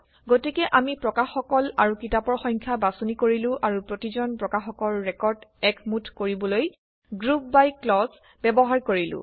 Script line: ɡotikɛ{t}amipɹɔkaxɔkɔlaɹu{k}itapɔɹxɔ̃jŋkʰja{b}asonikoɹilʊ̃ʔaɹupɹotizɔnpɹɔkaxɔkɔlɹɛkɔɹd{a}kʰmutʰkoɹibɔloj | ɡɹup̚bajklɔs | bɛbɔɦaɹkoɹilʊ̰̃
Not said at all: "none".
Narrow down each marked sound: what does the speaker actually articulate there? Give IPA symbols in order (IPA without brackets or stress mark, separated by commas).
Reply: ʔ, k, b, ɛ